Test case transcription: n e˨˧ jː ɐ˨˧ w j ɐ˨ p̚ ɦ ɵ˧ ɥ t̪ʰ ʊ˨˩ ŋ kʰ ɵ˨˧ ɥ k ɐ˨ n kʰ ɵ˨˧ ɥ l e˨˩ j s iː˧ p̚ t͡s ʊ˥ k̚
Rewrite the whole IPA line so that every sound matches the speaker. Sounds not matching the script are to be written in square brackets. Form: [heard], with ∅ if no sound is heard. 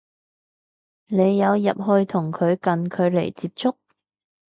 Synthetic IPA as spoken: n e˨˧ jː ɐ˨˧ w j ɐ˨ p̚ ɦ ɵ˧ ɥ t̪ʰ ʊ˨˩ ŋ kʰ ɵ˨˧ ɥ k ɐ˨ n kʰ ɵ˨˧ ɥ l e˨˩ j [t͡s] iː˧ p̚ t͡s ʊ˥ k̚